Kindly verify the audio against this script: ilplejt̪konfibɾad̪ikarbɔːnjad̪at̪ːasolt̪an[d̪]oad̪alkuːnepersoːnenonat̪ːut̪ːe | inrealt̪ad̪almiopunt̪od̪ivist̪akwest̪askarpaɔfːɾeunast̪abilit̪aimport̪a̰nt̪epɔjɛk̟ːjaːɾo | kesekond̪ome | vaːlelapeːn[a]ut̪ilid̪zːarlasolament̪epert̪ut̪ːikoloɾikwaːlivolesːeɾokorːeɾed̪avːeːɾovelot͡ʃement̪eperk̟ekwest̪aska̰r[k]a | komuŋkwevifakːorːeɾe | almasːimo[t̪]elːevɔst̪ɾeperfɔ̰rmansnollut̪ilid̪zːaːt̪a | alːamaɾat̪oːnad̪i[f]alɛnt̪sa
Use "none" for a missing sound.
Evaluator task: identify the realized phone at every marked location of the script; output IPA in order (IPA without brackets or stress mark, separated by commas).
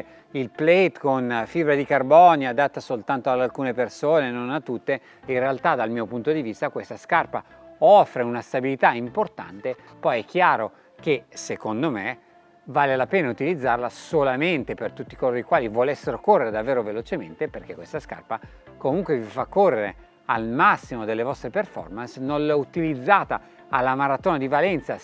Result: t̪, a, p, d̪, v